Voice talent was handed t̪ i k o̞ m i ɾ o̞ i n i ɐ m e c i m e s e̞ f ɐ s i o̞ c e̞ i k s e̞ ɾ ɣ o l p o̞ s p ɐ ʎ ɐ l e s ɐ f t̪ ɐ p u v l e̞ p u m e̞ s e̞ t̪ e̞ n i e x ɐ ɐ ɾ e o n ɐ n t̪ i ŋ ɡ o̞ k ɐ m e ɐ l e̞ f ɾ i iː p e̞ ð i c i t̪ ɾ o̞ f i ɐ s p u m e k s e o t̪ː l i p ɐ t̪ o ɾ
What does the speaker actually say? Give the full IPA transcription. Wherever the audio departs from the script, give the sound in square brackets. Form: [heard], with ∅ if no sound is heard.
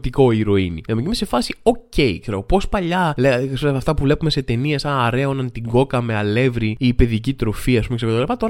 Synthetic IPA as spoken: t̪ i k o̞ [∅] i ɾ o̞ i n i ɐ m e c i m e s e̞ f ɐ s i o̞ c e̞ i k s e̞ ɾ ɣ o [∅] p o̞ s p ɐ ʎ ɐ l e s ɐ f t̪ ɐ p u v l e̞ p u m e̞ s e̞ t̪ e̞ n i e [s] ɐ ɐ ɾ e o n ɐ n t̪ i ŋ ɡ o̞ k ɐ m e ɐ l e̞ [v] ɾ i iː p e̞ ð i c i t̪ ɾ o̞ f i ɐ s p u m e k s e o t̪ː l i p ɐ t̪ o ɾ